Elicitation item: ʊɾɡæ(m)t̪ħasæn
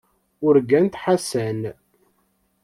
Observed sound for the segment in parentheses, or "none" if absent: n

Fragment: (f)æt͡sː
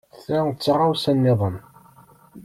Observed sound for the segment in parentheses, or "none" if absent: θ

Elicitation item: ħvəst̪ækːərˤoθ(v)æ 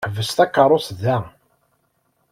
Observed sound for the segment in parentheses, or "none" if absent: ð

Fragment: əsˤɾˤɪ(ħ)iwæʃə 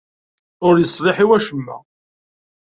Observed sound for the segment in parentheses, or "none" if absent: ħ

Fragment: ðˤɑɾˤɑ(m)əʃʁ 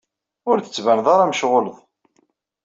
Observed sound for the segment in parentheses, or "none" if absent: m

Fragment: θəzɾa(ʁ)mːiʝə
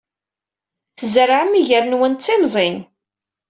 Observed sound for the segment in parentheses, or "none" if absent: ʕ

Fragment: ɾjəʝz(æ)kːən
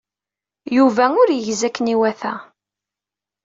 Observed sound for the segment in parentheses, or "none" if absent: æ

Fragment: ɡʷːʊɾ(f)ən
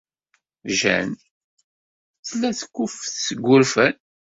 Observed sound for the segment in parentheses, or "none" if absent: f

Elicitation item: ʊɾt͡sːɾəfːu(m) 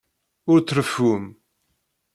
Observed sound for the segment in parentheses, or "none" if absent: m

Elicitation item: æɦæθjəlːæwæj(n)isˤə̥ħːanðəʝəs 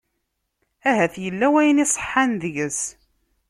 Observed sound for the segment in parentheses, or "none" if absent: n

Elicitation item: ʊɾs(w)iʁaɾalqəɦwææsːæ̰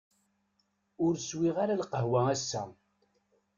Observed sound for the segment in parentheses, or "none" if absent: w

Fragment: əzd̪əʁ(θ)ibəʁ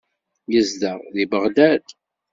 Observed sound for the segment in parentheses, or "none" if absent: ð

